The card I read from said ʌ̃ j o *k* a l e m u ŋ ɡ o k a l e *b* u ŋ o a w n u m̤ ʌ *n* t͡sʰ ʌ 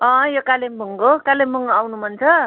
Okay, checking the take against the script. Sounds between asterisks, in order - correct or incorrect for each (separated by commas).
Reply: correct, incorrect, correct